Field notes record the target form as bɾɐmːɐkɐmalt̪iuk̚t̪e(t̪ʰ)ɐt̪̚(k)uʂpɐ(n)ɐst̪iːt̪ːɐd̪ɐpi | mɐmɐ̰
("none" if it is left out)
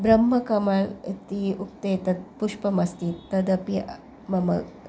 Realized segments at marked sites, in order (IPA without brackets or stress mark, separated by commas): t̪, p, m